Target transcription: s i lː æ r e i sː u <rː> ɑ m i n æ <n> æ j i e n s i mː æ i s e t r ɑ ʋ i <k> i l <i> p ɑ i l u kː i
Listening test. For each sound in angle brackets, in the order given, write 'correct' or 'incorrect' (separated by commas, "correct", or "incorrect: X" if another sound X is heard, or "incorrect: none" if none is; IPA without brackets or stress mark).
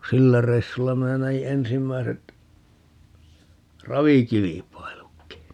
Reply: incorrect: lː, correct, correct, correct